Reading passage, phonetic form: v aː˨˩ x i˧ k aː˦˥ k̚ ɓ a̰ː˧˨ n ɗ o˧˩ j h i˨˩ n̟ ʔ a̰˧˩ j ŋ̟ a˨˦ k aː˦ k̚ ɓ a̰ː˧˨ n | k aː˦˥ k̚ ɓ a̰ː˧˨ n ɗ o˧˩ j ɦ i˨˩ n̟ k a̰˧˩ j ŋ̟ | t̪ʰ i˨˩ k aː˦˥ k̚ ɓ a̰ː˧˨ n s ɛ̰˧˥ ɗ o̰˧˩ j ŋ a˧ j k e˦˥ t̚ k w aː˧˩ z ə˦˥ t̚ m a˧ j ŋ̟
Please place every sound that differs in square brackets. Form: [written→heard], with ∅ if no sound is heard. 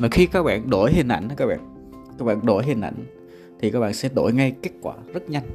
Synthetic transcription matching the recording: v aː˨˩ x i˧ k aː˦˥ k̚ ɓ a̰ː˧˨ n ɗ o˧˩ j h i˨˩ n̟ ʔ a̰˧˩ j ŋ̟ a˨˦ k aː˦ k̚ ɓ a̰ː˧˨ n | k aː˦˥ k̚ ɓ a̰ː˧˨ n ɗ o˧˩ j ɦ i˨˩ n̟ [k→ʔ] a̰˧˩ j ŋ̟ | t̪ʰ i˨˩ k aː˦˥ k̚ ɓ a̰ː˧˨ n s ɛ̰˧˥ ɗ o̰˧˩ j ŋ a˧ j k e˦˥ t̚ k w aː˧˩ z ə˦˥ t̚ [m→ɲ] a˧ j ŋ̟